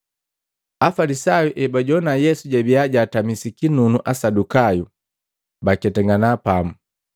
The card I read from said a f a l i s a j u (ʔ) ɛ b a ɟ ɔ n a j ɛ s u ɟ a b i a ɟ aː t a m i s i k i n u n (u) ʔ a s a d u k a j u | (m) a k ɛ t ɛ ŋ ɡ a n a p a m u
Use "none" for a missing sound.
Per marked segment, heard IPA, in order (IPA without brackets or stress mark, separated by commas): ʔ, u, b